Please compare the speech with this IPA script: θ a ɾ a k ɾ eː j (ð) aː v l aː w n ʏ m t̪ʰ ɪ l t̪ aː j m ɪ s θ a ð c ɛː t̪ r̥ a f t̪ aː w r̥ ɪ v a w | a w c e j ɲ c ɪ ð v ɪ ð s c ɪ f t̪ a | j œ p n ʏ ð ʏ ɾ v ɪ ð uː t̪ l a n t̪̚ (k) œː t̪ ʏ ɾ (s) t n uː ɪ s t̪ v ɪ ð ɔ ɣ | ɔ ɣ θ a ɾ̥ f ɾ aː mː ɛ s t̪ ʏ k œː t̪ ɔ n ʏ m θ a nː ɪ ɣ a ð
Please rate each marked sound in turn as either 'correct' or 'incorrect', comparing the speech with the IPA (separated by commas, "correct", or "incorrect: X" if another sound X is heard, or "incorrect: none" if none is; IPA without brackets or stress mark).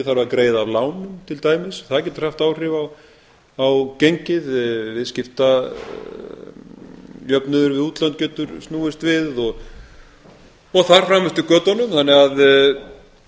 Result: correct, incorrect: c, correct